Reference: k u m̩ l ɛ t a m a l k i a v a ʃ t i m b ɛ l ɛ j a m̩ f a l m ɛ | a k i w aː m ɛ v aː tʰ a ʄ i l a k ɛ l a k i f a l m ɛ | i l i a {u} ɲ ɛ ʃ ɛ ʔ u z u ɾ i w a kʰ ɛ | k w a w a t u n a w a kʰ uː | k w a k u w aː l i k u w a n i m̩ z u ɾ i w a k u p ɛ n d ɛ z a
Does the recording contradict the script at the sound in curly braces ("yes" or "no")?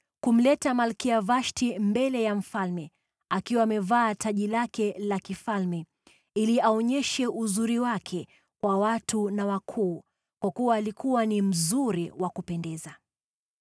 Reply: yes